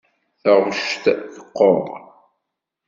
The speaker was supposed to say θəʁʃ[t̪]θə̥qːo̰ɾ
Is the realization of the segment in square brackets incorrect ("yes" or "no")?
no